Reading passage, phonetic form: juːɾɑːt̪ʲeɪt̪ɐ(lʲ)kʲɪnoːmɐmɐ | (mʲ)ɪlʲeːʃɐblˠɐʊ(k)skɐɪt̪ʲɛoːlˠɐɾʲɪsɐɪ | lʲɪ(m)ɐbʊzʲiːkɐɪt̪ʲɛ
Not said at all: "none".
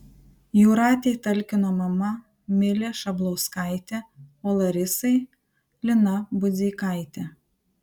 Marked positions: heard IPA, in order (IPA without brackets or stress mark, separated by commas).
lʲ, mʲ, none, n